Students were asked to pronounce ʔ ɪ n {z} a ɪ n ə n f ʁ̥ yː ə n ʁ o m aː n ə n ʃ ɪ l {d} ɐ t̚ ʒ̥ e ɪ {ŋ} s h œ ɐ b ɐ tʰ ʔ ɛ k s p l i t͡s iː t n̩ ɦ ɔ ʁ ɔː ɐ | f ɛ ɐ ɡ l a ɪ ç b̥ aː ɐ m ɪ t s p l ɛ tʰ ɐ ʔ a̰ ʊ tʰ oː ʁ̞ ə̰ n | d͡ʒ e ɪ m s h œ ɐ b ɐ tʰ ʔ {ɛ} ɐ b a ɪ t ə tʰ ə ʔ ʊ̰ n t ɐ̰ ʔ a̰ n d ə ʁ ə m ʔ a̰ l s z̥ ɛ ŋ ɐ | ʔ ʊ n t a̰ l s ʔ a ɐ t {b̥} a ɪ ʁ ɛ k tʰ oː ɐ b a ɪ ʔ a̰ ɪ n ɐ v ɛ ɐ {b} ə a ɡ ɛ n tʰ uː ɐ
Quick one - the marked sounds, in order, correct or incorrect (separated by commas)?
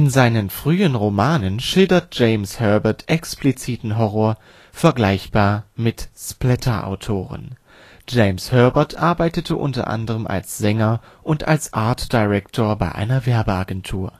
correct, correct, incorrect, incorrect, incorrect, correct